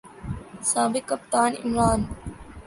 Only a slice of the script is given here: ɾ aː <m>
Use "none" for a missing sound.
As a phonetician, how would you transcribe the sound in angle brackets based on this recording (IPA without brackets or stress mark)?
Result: n